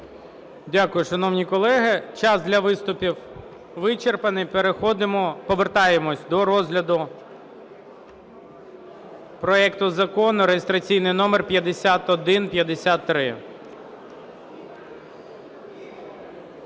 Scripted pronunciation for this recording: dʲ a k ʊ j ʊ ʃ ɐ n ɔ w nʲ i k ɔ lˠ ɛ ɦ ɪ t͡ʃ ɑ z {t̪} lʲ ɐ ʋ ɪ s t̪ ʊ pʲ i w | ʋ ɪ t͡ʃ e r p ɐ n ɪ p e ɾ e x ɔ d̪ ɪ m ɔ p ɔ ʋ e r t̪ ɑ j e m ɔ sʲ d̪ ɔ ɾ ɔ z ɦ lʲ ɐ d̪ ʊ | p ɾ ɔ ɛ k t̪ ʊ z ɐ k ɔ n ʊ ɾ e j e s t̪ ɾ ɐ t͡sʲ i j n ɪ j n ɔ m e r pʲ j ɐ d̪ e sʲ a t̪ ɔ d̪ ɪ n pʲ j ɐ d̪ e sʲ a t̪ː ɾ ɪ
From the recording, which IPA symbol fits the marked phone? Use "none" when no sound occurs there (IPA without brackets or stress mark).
d̪